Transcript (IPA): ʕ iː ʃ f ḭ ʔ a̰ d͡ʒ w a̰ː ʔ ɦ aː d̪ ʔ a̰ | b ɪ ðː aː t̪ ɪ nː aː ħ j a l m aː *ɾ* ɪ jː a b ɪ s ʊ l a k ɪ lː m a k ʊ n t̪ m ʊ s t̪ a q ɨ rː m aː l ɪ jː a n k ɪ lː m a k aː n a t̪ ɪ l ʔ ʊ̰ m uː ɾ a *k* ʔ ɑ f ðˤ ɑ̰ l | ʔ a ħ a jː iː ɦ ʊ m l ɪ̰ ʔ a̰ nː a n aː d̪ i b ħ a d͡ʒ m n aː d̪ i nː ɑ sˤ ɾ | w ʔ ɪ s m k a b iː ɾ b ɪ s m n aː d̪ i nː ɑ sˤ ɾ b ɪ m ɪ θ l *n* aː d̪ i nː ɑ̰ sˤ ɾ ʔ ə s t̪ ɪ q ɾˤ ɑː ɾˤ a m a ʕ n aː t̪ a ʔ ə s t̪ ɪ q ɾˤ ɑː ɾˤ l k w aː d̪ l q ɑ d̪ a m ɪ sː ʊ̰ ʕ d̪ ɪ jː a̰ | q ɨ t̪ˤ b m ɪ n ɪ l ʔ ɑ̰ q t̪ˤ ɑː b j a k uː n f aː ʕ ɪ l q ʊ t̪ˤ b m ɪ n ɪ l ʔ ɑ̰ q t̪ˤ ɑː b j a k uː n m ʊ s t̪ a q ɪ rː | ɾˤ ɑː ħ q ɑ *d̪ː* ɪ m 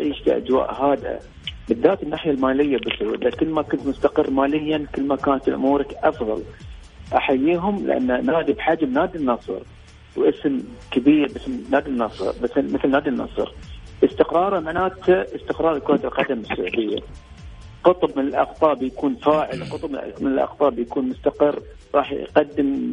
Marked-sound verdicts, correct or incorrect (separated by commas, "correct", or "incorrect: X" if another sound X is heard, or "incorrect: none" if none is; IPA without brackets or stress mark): incorrect: l, correct, correct, correct